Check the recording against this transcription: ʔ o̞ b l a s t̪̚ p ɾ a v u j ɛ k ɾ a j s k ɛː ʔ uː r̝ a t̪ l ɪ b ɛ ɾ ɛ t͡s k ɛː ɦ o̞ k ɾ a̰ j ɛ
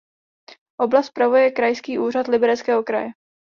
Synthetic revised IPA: ʔ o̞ b l a s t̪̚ p ɾ a v u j ɛ k ɾ a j s k iː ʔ uː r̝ a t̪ l ɪ b ɛ ɾ ɛ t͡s k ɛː ɦ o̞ k ɾ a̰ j ɛ